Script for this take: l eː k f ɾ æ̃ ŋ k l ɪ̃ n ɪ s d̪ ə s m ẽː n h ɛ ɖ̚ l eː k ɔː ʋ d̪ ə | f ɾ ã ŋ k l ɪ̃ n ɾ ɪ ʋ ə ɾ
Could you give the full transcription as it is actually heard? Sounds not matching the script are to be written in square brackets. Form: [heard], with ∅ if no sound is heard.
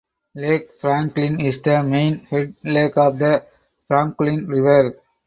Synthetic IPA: l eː k f ɾ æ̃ ŋ k l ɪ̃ n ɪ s d̪ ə [∅] m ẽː n h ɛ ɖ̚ l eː k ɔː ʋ d̪ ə | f ɾ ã ŋ k l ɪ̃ n ɾ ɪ ʋ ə ɾ